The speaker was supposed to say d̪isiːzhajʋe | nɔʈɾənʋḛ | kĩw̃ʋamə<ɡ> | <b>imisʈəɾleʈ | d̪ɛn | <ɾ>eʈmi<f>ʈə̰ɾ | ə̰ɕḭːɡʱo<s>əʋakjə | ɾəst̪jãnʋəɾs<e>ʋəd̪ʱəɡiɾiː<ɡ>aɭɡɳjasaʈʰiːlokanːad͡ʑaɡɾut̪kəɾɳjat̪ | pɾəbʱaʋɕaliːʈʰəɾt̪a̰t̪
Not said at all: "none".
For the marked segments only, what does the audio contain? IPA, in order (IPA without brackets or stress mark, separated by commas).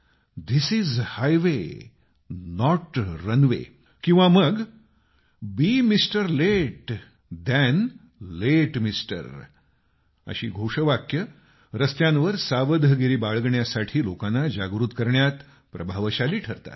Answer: ɡ, b, l, s, ʂ, a, b